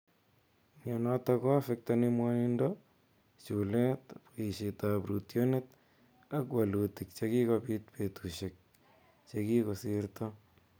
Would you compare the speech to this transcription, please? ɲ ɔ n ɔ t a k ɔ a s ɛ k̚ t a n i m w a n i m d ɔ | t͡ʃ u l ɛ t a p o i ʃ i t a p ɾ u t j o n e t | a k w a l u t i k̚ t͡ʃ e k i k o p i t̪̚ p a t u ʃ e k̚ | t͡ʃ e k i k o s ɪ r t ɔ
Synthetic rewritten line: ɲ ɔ n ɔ t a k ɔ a f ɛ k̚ t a n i m w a n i n d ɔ | t͡ʃ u l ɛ t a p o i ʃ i t a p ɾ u t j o n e t | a k w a l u t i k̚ t͡ʃ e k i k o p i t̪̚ p e t u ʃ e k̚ | t͡ʃ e k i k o s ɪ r t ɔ